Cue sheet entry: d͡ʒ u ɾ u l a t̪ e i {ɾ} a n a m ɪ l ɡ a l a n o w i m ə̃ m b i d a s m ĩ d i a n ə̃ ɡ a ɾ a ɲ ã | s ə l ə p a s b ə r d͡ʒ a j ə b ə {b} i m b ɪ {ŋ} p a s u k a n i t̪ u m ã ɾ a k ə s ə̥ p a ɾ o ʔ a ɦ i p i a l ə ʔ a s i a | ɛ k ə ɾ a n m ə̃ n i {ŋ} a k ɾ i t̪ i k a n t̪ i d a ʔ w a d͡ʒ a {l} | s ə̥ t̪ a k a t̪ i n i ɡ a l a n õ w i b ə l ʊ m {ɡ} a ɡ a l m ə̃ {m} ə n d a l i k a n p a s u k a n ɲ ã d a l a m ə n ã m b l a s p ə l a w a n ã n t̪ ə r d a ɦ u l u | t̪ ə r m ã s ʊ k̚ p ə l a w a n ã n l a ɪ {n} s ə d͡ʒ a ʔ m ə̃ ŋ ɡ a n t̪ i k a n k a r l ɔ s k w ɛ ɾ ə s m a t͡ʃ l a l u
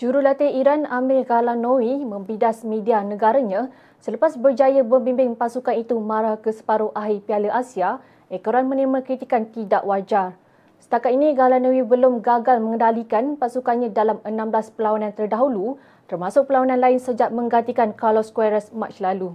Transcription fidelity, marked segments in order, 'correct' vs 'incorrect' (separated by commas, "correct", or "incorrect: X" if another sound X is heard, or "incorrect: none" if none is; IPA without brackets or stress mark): correct, correct, correct, incorrect: m, incorrect: r, correct, incorrect: ŋ, correct